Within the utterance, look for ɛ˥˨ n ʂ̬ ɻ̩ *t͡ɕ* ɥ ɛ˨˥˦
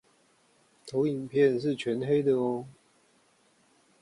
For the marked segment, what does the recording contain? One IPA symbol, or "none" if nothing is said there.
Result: t͡ɕʰ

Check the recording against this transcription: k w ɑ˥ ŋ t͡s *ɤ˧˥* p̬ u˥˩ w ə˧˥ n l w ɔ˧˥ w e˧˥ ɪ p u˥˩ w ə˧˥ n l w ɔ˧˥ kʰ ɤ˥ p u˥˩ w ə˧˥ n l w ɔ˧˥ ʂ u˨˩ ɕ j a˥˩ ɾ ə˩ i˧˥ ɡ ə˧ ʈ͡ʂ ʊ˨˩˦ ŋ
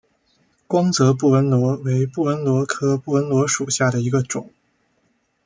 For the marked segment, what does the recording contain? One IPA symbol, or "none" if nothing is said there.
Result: ɤ˧˥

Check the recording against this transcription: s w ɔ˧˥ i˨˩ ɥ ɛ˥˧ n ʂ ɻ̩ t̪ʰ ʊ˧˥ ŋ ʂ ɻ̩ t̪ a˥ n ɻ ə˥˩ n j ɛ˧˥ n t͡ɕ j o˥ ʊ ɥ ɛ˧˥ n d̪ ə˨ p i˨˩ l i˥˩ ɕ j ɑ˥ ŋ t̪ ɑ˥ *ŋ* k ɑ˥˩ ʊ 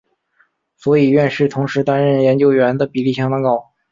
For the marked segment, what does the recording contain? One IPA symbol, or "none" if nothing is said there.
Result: ŋ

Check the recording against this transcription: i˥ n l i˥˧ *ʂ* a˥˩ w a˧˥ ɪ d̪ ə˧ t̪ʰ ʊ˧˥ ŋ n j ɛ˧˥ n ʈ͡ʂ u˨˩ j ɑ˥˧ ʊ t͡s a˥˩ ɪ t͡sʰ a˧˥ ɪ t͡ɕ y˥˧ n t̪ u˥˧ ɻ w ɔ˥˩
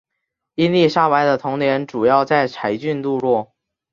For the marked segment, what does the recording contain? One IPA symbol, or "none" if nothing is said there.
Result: ʂ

